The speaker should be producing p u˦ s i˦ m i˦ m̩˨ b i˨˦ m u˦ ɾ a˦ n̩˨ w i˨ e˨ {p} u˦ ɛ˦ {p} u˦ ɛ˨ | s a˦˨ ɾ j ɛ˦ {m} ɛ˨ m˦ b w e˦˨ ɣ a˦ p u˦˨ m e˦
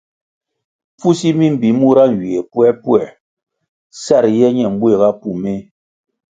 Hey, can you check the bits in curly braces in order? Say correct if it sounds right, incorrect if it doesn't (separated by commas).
correct, correct, incorrect